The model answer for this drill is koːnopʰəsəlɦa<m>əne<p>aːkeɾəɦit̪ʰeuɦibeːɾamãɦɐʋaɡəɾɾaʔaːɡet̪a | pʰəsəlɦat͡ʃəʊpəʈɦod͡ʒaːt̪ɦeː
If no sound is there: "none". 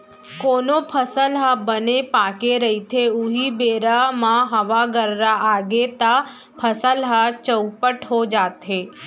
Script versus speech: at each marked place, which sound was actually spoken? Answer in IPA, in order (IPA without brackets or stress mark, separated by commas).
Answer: b, p